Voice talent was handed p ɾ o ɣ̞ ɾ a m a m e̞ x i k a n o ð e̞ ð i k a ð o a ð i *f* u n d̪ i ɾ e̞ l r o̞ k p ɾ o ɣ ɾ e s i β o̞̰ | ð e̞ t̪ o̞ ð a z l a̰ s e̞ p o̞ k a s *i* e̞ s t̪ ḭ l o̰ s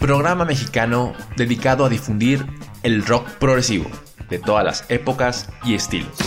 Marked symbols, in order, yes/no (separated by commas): yes, yes